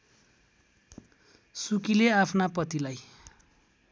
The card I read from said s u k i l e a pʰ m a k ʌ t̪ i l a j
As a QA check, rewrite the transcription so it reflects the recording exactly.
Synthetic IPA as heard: s u k i l e a pʰ n a p ʌ t̪ i l a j